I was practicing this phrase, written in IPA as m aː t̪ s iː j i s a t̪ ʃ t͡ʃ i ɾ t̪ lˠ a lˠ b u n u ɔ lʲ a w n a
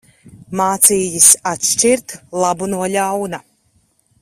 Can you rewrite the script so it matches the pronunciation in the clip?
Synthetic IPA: m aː t̪ s iː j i s a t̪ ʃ t͡ʃ i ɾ t̪ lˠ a b u n u ɔ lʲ a w n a